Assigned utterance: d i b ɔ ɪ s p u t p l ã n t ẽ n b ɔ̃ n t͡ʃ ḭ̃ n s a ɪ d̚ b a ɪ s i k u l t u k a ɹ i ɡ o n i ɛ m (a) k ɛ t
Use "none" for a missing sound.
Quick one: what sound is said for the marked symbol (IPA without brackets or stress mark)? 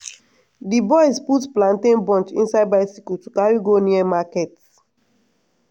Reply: a